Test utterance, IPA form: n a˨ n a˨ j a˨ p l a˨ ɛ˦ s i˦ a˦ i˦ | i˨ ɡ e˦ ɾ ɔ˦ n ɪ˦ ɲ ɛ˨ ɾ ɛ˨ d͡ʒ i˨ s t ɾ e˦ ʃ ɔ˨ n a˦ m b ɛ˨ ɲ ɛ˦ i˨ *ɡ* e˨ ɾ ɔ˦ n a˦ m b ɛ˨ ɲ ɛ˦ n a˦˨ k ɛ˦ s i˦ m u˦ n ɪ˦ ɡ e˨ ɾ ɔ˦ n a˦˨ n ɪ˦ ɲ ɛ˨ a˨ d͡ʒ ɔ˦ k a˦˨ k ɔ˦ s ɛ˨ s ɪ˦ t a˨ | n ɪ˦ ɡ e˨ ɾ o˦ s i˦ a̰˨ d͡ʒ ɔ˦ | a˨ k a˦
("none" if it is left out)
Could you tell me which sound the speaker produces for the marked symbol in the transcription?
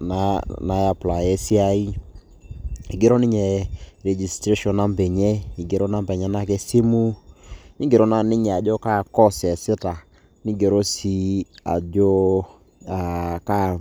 ɡ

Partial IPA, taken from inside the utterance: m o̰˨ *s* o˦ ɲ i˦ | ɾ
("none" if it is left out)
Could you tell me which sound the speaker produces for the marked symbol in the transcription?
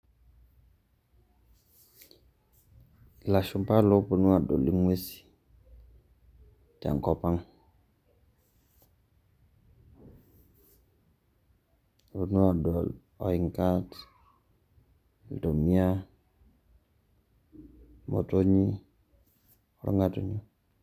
t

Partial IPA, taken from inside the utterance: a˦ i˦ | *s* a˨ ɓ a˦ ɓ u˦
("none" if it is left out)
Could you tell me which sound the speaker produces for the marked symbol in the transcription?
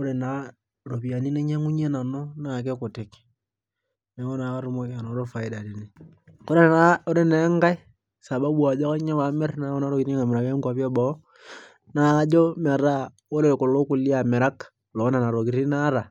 s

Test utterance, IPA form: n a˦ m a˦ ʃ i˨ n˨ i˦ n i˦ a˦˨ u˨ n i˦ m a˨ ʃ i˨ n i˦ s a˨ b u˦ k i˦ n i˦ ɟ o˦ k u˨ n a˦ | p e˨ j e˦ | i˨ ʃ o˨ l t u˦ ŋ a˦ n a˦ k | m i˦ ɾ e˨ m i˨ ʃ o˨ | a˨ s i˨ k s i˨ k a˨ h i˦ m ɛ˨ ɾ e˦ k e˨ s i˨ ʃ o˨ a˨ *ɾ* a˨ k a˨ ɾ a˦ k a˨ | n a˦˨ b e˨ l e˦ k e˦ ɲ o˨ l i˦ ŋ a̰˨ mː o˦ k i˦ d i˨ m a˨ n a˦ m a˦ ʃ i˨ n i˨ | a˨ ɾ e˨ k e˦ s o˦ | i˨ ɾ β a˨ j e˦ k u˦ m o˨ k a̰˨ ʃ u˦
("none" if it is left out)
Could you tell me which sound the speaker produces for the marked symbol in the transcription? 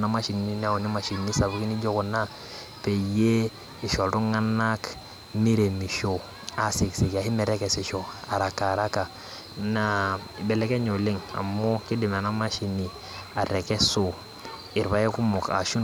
ɾ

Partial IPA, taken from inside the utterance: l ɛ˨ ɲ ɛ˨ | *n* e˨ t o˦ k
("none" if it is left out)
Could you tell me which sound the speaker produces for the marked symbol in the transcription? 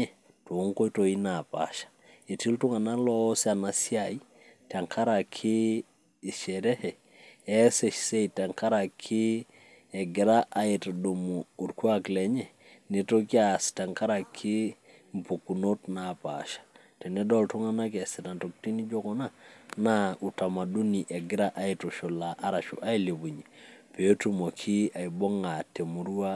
n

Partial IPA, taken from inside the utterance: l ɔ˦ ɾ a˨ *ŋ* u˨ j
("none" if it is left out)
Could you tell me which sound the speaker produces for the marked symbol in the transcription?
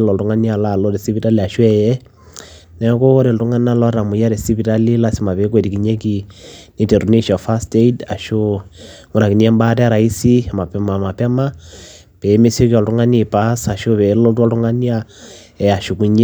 m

